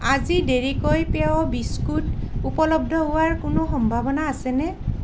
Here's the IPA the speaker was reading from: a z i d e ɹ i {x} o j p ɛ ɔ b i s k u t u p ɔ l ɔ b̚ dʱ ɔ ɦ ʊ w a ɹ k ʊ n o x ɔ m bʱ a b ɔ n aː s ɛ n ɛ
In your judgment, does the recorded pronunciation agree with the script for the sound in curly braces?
no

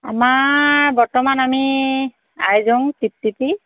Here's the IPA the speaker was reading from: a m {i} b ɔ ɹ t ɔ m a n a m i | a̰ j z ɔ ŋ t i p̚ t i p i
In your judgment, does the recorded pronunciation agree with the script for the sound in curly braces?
no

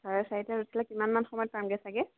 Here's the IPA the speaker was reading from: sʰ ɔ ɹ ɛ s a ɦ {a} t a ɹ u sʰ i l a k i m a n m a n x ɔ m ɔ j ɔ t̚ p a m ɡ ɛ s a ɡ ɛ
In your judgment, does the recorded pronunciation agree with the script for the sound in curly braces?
no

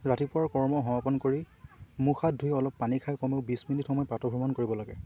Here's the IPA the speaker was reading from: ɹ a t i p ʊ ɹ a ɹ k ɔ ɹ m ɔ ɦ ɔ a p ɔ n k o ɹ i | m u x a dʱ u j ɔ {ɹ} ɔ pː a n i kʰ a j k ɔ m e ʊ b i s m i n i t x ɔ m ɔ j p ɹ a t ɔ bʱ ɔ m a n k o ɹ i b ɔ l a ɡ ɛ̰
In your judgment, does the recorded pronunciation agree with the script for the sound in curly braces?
no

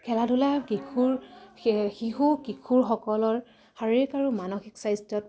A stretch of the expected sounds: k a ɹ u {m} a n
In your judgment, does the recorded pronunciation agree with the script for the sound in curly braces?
yes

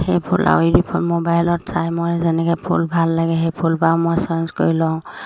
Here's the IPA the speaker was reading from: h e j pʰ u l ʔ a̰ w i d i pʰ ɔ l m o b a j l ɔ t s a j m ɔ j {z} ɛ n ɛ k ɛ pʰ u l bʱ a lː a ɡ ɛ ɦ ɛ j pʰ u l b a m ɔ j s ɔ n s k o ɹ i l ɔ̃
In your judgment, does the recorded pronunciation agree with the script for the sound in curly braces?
yes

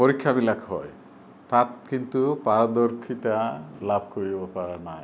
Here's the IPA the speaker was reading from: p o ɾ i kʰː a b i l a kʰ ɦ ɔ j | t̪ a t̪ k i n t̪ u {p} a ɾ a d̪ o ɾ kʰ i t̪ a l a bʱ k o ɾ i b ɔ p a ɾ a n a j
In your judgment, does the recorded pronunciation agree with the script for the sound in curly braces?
yes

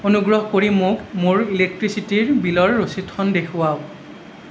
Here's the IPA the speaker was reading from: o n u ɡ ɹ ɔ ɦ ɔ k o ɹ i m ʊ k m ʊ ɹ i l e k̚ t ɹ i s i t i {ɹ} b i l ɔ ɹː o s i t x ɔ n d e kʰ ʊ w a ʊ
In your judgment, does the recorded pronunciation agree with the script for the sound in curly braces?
yes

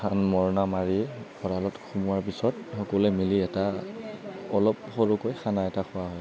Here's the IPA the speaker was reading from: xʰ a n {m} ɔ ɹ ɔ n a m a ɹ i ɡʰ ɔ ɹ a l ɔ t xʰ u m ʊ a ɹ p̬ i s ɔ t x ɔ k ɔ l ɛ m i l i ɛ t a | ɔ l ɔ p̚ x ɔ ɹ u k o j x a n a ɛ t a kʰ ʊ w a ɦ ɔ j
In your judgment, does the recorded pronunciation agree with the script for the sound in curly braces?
yes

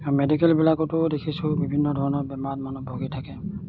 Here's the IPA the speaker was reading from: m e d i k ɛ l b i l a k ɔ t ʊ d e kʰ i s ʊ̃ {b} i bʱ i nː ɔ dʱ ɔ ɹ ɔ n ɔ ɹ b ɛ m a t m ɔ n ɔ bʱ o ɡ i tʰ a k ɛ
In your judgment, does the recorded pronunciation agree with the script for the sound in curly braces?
yes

